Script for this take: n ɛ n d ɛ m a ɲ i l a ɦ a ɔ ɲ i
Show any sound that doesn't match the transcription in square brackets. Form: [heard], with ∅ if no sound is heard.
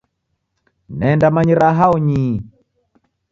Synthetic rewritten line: n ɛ n d [a] m a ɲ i [ɾ] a ɦ a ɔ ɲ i